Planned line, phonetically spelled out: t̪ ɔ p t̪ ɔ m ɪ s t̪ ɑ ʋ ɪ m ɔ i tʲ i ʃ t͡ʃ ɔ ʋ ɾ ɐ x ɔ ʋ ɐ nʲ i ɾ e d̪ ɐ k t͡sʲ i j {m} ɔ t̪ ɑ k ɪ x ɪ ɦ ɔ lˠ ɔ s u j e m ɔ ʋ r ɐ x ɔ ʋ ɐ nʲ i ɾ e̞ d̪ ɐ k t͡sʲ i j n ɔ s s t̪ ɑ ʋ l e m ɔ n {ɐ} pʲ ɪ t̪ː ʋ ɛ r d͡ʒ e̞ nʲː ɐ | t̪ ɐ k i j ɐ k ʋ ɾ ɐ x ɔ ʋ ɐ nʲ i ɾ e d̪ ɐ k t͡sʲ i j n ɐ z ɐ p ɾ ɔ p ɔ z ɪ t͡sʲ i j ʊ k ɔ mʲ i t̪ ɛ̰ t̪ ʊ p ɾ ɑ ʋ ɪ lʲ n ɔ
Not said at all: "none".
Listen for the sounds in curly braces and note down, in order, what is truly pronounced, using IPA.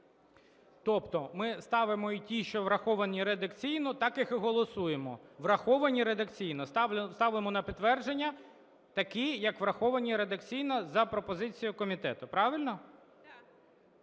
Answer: n, ɐ

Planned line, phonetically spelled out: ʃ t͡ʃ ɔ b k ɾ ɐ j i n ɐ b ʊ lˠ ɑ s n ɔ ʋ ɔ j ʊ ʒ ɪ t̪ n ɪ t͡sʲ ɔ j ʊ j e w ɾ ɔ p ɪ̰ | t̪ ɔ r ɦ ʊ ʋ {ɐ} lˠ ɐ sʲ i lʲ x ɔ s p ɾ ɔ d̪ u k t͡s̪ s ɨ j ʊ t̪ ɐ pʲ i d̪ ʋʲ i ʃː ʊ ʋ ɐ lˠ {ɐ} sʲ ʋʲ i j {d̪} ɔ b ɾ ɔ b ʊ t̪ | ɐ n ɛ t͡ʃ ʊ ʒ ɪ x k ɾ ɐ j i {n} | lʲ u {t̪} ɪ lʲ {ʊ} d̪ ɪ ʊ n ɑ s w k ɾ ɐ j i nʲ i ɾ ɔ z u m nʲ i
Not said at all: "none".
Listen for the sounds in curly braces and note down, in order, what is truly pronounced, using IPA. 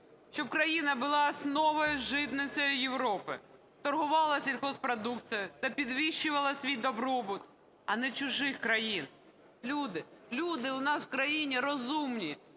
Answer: ɑ, ɐ, d̪, n, d̪, u

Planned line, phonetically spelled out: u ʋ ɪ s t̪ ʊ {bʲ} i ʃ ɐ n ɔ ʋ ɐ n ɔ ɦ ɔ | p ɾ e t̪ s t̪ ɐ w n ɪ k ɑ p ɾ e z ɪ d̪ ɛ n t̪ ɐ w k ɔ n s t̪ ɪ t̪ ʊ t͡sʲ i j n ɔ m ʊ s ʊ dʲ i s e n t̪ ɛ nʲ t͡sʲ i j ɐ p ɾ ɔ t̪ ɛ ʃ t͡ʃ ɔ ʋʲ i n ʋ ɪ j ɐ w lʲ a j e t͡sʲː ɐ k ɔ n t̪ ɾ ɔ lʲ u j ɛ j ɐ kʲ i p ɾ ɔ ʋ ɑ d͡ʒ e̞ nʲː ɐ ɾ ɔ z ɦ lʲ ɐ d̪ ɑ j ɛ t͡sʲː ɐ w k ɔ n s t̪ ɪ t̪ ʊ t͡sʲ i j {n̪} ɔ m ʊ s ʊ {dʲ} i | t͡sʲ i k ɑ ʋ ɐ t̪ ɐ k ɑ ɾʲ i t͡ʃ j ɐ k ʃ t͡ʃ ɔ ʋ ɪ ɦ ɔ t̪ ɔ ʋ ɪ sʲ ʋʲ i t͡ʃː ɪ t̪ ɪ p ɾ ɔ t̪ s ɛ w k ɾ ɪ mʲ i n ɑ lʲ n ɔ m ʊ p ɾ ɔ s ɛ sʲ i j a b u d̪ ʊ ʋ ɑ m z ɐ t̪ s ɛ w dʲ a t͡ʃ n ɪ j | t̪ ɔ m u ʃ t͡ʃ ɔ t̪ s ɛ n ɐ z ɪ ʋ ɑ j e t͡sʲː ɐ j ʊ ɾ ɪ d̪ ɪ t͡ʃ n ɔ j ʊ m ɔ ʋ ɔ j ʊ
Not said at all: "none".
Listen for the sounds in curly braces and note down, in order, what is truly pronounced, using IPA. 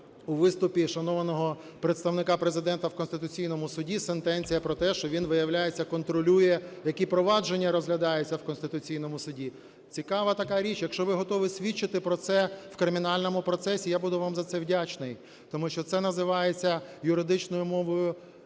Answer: pʲ, n̪, dʲ

